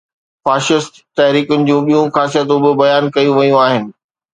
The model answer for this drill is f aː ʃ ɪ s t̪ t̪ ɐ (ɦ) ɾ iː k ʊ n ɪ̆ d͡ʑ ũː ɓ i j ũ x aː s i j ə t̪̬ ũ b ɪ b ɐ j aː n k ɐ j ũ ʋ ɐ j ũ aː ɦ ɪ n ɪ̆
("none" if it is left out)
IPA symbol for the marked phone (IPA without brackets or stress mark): ɦ